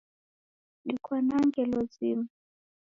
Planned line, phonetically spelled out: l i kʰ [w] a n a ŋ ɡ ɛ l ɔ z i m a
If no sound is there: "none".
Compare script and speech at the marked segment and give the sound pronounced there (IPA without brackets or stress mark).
w